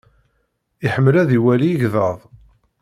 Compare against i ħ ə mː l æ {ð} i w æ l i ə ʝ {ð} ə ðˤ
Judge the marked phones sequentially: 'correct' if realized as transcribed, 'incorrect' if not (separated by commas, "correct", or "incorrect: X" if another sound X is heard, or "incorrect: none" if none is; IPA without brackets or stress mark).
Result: correct, correct